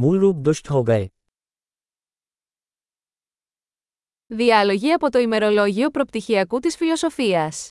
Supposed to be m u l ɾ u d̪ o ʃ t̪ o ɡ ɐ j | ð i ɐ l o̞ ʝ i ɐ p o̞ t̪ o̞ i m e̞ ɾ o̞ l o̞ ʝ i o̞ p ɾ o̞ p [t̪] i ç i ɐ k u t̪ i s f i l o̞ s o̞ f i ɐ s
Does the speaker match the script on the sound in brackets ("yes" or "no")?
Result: yes